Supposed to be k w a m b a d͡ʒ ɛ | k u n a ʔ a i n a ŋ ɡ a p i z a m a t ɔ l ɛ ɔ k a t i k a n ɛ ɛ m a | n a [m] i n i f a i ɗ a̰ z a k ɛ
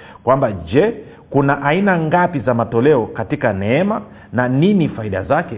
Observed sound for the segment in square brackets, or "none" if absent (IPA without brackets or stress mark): n